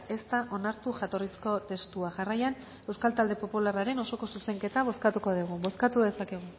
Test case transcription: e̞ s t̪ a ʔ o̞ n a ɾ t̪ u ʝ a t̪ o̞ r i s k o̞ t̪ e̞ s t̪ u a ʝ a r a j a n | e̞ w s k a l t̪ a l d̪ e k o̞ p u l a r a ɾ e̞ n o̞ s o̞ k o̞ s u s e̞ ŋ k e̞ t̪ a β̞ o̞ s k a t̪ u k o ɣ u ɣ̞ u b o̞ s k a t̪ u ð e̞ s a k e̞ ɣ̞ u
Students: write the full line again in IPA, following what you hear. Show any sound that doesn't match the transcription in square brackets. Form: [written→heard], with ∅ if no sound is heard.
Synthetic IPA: e̞ s t̪ a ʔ o̞ n a ɾ t̪ u ʝ a t̪ o̞ r i s k o̞ t̪ e̞ s t̪ u a ʝ a r a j a n | e̞ w s k a l t̪ a l d̪ e [k→p] o̞ p u l a r a ɾ e̞ n o̞ s o̞ k o̞ s u s e̞ ŋ k e̞ t̪ a β̞ o̞ s k a t̪ u k o [ɣ→ð] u ɣ̞ u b o̞ s k a t̪ u ð e̞ s a k e̞ ɣ̞ u

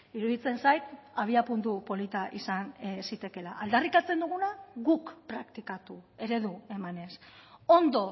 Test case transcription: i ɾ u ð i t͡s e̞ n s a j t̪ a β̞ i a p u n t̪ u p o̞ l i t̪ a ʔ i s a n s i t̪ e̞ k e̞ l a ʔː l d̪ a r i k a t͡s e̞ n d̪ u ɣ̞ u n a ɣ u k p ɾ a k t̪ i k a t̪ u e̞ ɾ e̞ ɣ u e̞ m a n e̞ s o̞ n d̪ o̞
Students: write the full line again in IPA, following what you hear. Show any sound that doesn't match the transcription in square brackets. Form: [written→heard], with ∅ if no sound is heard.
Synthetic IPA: i ɾ u ð i t͡s e̞ n s a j t̪ a β̞ i a p u n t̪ u p o̞ l i t̪ a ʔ i s a n s i t̪ e̞ k e̞ l a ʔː l d̪ a r i k a t͡s e̞ n d̪ u ɣ̞ u n a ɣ u k p ɾ a k t̪ i k a t̪ u e̞ ɾ e̞ [ɣ→ð] u e̞ m a n e̞ s o̞ n d̪ o̞

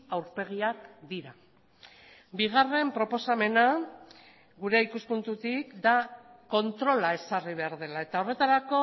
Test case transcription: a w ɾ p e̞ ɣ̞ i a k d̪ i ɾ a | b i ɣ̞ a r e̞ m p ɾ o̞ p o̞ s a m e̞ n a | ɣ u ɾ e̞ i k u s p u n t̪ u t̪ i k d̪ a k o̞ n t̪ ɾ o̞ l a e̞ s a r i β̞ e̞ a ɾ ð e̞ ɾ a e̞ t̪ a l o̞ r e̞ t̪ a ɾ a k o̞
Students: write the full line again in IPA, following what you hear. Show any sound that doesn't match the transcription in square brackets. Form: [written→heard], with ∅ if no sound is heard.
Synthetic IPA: a w ɾ p e̞ ɣ̞ i a k d̪ i ɾ a | b i ɣ̞ a r e̞ m p ɾ o̞ p o̞ s a m e̞ n a | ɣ u ɾ e̞ i k u s p u n t̪ u t̪ i k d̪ a k o̞ n t̪ ɾ o̞ l a e̞ s a r i β̞ e̞ a ɾ ð e̞ [ɾ→l] a e̞ t̪ a [l→∅] o̞ r e̞ t̪ a ɾ a k o̞

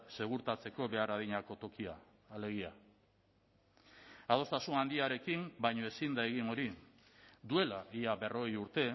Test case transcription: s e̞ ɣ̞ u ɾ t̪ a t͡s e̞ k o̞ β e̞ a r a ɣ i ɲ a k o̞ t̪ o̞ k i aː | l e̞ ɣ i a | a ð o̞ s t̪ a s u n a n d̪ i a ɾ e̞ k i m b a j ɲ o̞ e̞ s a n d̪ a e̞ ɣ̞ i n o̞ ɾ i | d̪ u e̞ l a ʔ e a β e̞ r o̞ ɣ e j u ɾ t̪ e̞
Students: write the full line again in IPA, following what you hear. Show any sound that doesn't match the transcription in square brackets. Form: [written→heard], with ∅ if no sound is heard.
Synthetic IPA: s e̞ ɣ̞ u ɾ t̪ a t͡s e̞ k o̞ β e̞ a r a [ɣ→ð] i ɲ a k o̞ t̪ o̞ k i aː | l e̞ ɣ i a | a ð o̞ s t̪ a s u n a n d̪ i a ɾ e̞ k i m b a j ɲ o̞ e̞ s [a→i] n d̪ a e̞ ɣ̞ i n o̞ ɾ i | d̪ u e̞ l a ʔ [e→i] a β e̞ r o̞ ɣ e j u ɾ t̪ e̞

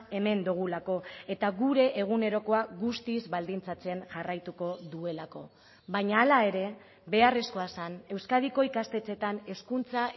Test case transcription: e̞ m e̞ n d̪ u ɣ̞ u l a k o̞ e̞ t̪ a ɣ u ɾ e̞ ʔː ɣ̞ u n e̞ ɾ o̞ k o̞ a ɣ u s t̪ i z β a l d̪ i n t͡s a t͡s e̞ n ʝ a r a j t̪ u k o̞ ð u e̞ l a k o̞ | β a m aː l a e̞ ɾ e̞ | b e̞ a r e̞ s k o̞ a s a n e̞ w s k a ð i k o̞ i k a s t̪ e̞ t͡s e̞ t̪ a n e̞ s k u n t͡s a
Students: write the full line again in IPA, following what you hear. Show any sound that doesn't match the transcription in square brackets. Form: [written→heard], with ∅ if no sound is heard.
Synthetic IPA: e̞ m e̞ n d̪ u ɣ̞ u l a k o̞ e̞ t̪ a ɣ u ɾ e̞ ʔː ɣ̞ u n e̞ ɾ o̞ k o̞ a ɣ u s t̪ i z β a l d̪ i n t͡s a t͡s e̞ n ʝ a r a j t̪ u k o̞ ð u e̞ l a k o̞ | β a [m→ɲ] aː l a e̞ ɾ e̞ | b e̞ a r e̞ s k o̞ a s a n e̞ w s k a ð i k o̞ i k a s t̪ e̞ t͡s e̞ t̪ a n e̞ s k u n t͡s a

